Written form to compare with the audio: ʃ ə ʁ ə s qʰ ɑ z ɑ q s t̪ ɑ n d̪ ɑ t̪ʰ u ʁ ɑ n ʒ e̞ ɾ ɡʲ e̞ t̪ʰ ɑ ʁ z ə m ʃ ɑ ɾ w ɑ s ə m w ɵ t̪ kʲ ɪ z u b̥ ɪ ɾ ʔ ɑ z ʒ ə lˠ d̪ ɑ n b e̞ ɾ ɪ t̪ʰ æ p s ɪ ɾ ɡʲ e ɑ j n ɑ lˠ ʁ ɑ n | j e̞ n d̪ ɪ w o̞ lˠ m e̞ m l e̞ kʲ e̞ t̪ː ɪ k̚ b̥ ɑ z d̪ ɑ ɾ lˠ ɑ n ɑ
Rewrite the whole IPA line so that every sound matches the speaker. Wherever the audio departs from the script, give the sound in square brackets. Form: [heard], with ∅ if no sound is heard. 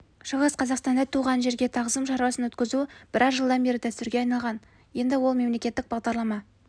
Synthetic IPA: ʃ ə ʁ ə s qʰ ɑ z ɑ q s t̪ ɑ n d̪ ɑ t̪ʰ u ʁ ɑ n ʒ e̞ ɾ ɡʲ e̞ t̪ʰ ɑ ʁ z ə m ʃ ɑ ɾ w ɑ s ə [n] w ɵ t̪ kʲ ɪ z u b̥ ɪ ɾ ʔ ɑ z ʒ ə lˠ d̪ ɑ n b e̞ ɾ ɪ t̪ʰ æ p s ɪ ɾ ɡʲ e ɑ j n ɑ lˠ ʁ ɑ n | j e̞ n d̪ ɪ w o̞ lˠ m e̞ m l e̞ kʲ e̞ t̪ː ɪ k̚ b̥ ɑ [ʁ] d̪ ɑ ɾ lˠ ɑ [m] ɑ